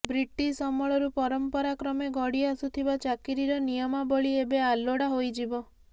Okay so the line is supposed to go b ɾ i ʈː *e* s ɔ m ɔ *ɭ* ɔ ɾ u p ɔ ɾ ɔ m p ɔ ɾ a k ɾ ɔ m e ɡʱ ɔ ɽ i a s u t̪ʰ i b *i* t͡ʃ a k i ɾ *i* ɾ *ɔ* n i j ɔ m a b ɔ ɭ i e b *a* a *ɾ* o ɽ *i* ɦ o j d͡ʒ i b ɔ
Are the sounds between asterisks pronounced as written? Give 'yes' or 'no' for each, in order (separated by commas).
no, yes, no, yes, yes, no, no, no